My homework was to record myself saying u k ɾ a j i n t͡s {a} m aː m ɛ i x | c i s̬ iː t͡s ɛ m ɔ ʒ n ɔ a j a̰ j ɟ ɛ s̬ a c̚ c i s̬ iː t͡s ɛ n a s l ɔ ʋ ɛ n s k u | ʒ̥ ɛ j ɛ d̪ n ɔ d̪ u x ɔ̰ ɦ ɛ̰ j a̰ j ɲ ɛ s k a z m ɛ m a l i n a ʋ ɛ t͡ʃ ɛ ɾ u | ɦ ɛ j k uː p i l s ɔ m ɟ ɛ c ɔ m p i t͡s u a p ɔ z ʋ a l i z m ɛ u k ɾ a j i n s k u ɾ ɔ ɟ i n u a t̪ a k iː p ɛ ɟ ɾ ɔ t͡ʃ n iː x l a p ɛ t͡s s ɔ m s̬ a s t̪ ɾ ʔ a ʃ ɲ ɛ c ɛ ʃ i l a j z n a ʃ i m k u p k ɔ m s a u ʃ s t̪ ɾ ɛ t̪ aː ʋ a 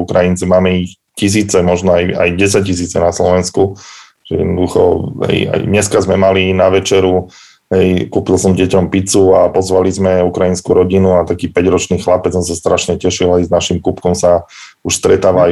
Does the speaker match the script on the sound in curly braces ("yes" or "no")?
no